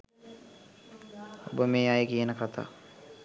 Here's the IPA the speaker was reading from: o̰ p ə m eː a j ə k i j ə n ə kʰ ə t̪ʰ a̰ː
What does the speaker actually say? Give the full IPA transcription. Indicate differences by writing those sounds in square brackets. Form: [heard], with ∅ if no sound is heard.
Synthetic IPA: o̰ [b] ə m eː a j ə k i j ə n ə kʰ [a] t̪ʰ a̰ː